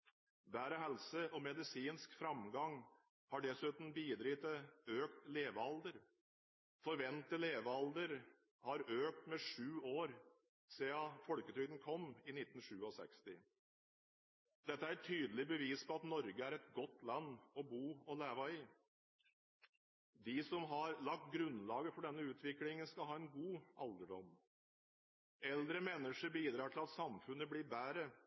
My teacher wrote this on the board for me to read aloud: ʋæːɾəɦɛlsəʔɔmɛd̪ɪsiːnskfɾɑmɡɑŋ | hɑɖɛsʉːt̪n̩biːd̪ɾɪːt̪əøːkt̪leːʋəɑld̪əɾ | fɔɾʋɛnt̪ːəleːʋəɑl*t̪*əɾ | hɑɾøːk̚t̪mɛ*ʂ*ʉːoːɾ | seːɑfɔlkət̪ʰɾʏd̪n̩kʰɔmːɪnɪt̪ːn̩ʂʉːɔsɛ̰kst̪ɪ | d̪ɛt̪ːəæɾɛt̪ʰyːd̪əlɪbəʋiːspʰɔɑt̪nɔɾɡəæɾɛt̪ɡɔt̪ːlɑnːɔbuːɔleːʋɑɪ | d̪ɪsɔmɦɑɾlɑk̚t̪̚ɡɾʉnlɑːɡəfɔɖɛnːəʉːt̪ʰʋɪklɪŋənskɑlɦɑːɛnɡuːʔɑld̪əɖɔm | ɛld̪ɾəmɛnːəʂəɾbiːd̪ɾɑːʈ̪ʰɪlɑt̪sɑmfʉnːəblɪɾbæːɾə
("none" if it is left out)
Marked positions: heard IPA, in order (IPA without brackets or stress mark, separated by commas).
d̪, ʂ